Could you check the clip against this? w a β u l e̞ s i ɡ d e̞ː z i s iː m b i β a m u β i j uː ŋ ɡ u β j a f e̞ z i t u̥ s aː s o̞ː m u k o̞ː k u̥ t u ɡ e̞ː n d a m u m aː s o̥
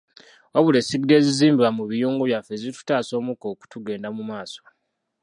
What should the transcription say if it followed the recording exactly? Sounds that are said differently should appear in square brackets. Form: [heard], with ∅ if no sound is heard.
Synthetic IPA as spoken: w a β u l e̞ s i ɡ d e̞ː z i [z] iː m b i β a m u β i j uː ŋ ɡ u β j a f e̞ z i t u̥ [t] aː s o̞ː m u k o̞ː k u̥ t u ɡ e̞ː n d a m u m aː s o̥